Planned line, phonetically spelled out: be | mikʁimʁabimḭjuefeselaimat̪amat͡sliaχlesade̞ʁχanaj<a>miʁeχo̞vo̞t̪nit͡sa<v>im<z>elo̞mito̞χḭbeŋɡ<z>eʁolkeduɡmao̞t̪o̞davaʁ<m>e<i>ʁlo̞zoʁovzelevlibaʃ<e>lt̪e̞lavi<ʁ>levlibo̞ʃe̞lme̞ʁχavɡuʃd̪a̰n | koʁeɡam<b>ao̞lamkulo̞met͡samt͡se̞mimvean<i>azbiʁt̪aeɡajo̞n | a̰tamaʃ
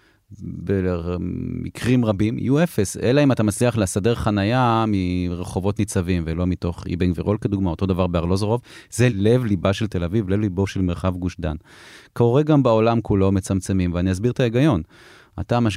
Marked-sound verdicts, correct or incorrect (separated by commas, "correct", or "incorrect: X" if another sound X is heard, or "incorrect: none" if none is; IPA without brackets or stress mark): correct, correct, incorrect: v, incorrect: v, incorrect: b, incorrect: a, correct, incorrect: v, correct, correct